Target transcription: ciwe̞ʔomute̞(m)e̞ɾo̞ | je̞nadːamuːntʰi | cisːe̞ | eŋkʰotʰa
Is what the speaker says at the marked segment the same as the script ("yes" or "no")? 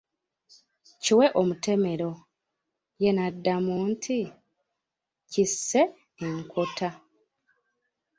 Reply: yes